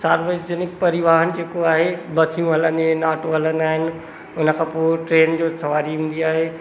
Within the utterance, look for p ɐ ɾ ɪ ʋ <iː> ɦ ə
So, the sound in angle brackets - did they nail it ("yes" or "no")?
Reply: no